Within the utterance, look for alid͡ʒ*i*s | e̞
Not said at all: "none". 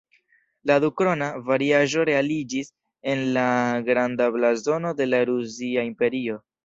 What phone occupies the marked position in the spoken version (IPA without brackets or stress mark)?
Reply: i